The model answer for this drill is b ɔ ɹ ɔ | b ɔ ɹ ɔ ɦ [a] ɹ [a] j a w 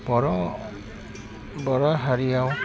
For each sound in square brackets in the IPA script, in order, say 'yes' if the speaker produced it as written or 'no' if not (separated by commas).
yes, no